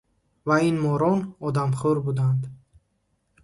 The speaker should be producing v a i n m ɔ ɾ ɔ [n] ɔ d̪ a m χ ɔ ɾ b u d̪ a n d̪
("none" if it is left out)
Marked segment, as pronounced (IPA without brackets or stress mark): n